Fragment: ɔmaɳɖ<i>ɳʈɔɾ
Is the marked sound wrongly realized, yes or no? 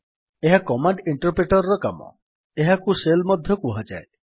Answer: no